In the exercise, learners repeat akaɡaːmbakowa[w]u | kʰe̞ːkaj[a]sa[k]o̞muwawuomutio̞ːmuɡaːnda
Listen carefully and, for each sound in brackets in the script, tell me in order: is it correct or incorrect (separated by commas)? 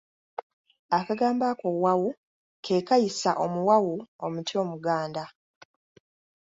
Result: correct, incorrect, incorrect